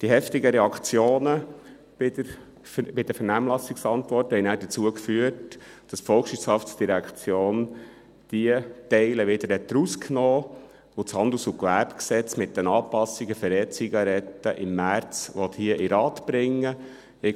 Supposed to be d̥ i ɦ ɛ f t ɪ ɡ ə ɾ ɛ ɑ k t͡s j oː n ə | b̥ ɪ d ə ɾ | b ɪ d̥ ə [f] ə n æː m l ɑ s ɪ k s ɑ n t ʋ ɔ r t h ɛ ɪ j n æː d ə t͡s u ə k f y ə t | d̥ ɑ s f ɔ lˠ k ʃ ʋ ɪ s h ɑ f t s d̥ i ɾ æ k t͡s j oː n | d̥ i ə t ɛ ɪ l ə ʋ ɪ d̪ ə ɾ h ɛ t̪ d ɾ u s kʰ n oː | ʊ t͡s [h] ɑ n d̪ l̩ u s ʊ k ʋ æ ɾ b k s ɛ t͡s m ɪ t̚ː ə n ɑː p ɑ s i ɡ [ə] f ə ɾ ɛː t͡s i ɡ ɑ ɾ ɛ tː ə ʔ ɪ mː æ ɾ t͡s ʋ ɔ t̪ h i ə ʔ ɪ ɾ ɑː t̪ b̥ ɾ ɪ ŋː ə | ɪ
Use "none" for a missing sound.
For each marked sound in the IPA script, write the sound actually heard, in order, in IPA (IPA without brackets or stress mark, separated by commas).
f, h, ə